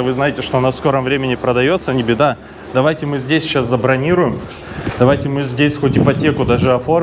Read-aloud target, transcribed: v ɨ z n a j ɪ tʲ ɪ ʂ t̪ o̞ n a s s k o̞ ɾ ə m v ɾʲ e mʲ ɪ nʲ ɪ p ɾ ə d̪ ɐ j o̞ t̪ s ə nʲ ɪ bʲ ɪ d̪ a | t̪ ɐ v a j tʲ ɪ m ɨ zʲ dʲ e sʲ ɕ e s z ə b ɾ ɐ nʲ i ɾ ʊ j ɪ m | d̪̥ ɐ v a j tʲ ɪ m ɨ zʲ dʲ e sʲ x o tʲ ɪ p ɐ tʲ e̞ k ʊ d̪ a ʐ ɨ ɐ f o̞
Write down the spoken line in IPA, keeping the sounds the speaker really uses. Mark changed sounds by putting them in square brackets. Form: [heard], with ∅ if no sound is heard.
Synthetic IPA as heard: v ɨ z n a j ɪ tʲ ɪ ʂ t̪ o̞ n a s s k o̞ ɾ ə m v ɾʲ e mʲ ɪ nʲ ɪ p ɾ ə d̪ ɐ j o̞ t̪ s ə nʲ ɪ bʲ ɪ d̪ a | [d̪] ɐ v a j tʲ ɪ m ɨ zʲ dʲ e sʲ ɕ [a] s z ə b ɾ ɐ nʲ i ɾ ʊ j ɪ m | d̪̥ ɐ v a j tʲ ɪ m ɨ zʲ dʲ e sʲ x o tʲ ɪ p ɐ tʲ e̞ k ʊ d̪ a ʐ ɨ ɐ f o̞